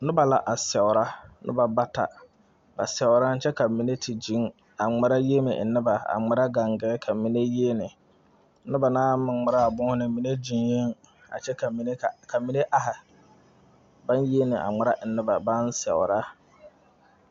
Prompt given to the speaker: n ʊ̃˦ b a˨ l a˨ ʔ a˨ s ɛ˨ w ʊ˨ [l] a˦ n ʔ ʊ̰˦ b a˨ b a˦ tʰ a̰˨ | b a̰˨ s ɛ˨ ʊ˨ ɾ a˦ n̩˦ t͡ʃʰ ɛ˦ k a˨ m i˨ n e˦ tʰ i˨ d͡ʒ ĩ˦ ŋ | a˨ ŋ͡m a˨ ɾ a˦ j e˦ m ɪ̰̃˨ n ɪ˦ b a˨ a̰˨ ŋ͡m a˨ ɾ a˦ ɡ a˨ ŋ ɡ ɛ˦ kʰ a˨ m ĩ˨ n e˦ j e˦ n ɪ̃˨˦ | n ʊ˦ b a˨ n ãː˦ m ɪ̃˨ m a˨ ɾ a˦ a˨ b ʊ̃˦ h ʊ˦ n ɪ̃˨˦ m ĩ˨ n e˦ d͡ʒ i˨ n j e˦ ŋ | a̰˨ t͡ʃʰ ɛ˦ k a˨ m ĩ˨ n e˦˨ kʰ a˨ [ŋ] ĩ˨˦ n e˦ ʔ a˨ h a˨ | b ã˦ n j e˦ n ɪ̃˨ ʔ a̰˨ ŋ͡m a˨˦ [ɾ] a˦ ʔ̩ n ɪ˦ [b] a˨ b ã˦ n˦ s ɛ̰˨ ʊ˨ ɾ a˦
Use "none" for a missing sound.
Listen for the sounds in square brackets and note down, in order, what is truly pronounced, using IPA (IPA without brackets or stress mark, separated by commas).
ɾ, m, ɾ, b